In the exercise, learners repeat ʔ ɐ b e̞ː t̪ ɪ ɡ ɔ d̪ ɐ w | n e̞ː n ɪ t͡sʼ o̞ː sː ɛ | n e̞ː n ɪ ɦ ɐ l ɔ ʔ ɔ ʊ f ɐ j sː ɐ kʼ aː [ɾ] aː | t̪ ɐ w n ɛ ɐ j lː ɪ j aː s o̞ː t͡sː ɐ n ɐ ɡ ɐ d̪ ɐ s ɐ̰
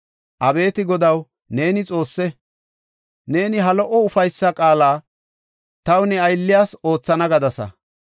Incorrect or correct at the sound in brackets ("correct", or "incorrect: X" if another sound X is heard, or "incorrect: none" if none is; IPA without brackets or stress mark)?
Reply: incorrect: l